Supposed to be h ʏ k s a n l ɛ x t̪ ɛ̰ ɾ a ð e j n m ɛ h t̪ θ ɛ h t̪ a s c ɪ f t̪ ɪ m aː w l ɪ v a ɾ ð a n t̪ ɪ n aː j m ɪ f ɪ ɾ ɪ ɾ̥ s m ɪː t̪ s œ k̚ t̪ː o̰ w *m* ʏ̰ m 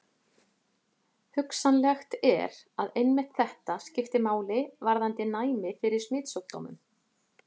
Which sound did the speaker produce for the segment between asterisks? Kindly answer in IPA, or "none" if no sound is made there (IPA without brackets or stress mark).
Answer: m